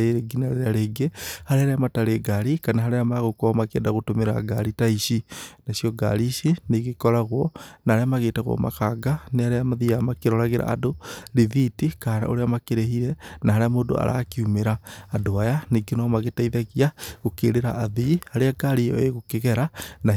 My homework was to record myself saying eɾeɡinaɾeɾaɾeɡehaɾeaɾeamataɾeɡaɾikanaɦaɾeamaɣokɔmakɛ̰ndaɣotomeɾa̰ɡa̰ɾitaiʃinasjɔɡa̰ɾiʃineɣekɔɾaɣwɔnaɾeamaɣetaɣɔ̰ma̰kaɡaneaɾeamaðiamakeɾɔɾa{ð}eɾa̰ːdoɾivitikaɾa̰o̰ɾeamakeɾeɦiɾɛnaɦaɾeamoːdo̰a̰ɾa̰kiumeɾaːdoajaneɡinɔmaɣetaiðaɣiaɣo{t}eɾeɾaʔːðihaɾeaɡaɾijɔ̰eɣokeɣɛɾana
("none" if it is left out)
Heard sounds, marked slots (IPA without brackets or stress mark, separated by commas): ɣ, k